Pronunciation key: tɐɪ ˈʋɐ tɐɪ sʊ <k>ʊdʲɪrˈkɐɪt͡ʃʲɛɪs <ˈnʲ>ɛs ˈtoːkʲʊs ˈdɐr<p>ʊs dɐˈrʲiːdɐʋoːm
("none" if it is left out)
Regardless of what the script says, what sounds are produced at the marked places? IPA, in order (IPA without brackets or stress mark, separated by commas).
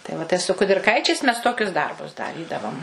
k, mʲ, b